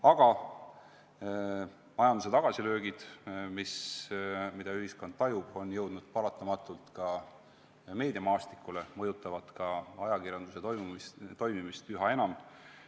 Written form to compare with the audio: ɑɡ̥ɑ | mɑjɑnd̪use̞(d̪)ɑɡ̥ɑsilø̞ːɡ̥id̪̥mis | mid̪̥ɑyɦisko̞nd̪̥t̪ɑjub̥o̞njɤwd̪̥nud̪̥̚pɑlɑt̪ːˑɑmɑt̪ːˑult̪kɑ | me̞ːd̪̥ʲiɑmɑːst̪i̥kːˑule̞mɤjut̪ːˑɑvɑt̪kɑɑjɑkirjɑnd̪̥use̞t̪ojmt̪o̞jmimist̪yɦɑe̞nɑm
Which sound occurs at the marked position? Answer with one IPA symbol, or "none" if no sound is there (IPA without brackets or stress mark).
t̪